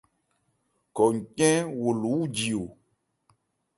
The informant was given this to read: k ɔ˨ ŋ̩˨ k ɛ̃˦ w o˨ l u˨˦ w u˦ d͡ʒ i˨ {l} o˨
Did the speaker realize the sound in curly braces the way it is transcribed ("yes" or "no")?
no